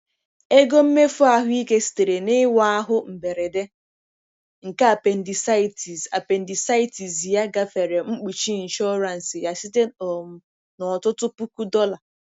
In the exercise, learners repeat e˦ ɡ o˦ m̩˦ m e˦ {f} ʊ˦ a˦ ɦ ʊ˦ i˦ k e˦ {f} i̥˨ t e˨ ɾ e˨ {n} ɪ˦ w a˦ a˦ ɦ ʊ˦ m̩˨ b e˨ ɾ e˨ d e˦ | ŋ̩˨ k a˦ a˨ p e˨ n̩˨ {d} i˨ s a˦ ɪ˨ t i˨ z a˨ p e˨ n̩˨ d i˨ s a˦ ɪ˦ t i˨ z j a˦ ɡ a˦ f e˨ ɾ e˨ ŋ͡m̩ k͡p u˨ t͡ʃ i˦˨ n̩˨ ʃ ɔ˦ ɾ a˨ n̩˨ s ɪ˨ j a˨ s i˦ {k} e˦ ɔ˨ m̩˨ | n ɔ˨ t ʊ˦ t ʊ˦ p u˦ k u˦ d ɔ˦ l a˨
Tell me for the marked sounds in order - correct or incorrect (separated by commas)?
correct, incorrect, correct, correct, incorrect